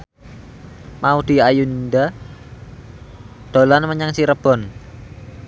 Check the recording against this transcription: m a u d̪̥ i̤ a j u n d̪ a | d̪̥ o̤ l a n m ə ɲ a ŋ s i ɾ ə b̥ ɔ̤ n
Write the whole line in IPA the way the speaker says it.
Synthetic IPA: m a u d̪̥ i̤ a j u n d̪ a | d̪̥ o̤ l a n m ə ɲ a ŋ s i ɾ ə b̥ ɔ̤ n